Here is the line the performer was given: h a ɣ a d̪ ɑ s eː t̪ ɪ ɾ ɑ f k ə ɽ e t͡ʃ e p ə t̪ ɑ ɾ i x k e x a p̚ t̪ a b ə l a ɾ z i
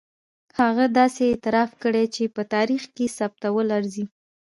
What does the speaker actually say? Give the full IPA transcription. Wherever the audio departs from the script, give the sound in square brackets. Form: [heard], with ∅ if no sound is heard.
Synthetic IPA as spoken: h a ɣ a d̪ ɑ s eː t̪ ɪ ɾ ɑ f k ə ɽ e t͡ʃ e p ə t̪ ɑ ɾ i x k e [s] a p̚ t̪ a [w] ə l a ɾ z i